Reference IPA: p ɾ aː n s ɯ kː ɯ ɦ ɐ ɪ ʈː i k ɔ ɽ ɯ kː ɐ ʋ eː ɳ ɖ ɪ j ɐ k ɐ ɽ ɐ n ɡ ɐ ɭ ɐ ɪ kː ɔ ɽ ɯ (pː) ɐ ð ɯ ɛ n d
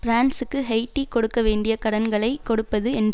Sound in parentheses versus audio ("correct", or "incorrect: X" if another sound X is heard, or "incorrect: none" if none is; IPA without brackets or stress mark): correct